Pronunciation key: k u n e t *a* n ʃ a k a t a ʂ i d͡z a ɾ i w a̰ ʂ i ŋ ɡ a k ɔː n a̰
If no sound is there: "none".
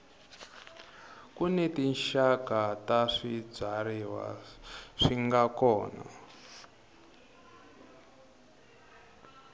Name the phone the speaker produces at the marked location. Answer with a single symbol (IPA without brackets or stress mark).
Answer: i